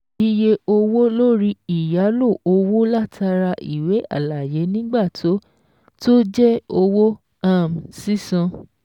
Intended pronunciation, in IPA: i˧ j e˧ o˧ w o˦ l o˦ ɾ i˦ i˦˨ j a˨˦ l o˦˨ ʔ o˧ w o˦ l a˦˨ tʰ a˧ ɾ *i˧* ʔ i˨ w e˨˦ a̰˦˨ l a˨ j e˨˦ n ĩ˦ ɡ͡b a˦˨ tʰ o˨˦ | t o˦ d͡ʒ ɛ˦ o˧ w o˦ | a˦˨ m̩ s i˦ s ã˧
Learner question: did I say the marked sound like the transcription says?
no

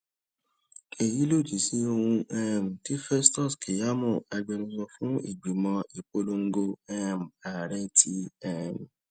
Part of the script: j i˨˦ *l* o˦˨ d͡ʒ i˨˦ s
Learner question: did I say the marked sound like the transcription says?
yes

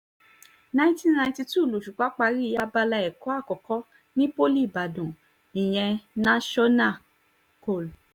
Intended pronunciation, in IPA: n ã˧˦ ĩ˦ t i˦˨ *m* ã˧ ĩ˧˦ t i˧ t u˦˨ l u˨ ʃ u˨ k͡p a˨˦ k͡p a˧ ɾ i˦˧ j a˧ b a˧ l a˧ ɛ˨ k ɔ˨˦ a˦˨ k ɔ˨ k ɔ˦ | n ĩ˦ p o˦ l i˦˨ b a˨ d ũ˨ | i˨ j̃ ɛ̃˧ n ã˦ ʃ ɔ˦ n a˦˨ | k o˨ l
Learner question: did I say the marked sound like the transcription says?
no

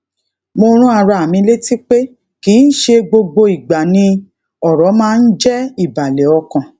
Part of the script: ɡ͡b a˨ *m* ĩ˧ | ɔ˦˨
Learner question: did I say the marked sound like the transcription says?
no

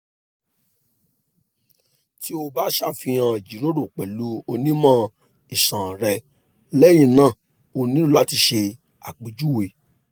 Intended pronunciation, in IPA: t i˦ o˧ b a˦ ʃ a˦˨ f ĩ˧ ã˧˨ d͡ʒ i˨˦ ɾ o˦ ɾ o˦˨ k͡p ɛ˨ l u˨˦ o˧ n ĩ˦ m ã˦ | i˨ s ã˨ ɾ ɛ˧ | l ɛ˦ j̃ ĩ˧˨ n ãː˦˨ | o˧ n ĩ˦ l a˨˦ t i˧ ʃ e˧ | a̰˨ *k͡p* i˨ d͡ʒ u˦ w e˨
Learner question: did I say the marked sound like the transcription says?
yes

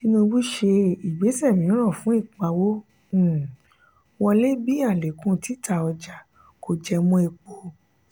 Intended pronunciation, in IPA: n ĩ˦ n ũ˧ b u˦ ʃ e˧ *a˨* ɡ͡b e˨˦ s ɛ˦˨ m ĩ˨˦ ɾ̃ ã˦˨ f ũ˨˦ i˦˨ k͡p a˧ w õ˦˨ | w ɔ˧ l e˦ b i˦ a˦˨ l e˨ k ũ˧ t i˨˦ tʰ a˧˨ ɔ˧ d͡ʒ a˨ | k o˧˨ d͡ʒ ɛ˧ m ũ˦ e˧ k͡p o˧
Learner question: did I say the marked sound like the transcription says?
no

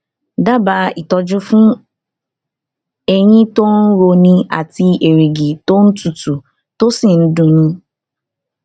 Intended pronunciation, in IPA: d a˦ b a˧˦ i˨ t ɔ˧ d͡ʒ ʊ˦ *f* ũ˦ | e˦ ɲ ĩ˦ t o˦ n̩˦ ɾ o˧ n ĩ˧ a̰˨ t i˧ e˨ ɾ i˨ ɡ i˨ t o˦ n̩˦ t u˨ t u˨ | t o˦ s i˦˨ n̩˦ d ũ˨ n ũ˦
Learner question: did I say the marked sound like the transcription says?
yes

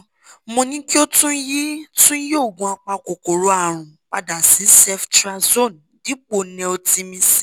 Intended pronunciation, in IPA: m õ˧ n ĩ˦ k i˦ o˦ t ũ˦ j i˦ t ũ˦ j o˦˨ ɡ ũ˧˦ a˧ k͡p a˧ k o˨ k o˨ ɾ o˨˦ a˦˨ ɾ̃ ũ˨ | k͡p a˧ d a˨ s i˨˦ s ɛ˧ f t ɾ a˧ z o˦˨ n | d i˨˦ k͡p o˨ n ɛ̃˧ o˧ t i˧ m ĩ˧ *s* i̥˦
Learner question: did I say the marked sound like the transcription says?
yes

